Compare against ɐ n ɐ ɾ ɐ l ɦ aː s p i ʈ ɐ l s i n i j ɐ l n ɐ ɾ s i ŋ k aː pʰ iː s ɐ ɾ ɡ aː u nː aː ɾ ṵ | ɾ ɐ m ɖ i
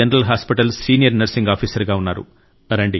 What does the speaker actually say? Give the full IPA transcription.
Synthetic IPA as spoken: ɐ n ɐ ɾ ɐ l ɦ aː s p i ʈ ɐ l s iː n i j ɐ ɾ n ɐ ɾ s i ŋ ɡ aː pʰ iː s ɐ ɾ ɡ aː u nː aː ɾ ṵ | ɾ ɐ ɳ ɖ i